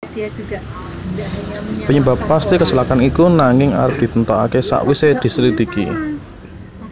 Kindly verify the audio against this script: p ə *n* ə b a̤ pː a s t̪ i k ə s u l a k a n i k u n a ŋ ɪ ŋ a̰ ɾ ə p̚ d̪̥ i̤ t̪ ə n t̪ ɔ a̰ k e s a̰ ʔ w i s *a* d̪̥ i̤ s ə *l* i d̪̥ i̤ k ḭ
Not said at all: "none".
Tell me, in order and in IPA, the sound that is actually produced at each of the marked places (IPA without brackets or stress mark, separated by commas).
ɲ, e, ɾ